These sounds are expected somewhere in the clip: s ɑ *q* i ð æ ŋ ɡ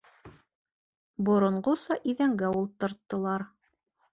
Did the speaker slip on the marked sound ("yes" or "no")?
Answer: yes